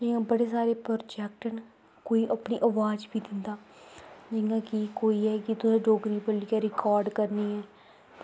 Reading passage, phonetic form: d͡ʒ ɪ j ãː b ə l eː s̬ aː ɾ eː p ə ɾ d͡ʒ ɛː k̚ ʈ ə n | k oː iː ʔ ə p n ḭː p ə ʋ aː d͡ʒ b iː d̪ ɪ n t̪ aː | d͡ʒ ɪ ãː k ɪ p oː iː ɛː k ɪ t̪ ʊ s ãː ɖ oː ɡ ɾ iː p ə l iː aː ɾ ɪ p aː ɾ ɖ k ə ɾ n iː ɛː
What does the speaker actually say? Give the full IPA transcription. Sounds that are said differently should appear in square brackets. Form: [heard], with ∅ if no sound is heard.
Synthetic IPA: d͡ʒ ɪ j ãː b ə [ɽ] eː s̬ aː ɾ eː p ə ɾ d͡ʒ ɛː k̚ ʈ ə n | k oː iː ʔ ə p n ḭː [ʔ] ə ʋ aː d͡ʒ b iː d̪ ɪ n [d̪] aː | d͡ʒ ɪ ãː k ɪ [k] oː iː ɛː k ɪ t̪ ʊ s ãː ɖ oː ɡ ɾ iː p ə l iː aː ɾ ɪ [k] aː ɾ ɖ k ə ɾ n iː ɛː